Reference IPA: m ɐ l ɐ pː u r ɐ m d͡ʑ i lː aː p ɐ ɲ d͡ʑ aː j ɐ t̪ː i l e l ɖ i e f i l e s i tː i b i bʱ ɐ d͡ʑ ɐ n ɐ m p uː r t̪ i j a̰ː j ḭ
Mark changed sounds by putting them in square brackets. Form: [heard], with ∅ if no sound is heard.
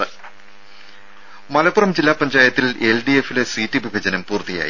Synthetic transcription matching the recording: m ɐ l ɐ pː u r ɐ m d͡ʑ i lː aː p ɐ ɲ d͡ʑ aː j ɐ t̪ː i l e l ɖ i e f i l e s i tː i b i bʱ ɐ d͡ʑ ɐ n ɐ m p uː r t̪ i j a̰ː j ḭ